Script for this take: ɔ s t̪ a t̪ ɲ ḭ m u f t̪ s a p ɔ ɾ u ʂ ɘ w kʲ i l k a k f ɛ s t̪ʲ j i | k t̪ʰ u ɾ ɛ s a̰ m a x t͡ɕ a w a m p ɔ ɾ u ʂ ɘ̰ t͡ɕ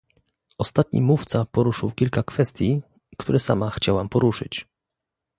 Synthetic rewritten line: ɔ s t̪ a t̪ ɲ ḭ m u f t̪ s a p ɔ ɾ u ʂ ɘ w kʲ i l k a k f ɛ s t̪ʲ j i | k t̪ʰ u ɾ ɛ s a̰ m a x t͡ɕ a w a m p ɔ ɾ u ʂ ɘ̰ t͡ɕ